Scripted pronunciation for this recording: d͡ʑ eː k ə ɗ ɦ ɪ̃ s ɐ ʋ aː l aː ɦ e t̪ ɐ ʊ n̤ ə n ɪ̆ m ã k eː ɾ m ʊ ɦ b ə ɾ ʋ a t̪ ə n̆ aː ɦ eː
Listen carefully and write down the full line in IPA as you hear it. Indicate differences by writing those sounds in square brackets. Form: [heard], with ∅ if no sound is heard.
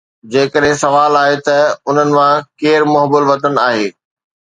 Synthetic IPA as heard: d͡ʑ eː k ə ɗ ɦ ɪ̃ s ɐ ʋ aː l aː ɦ e t̪ ɐ ʊ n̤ ə n ɪ̆ m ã k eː ɾ m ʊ ɦ b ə [l] ʋ [ɐ] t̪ ə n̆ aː ɦ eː